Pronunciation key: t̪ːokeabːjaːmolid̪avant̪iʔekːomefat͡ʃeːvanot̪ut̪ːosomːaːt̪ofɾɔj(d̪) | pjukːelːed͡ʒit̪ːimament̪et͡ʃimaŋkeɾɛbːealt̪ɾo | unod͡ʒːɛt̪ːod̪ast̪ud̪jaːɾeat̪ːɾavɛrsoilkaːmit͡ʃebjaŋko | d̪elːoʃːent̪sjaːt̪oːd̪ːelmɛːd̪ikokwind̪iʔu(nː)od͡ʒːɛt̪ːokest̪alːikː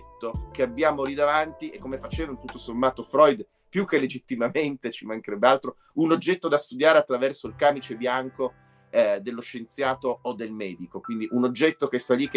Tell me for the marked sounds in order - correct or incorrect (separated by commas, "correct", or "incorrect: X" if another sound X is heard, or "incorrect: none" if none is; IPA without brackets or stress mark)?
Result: correct, incorrect: n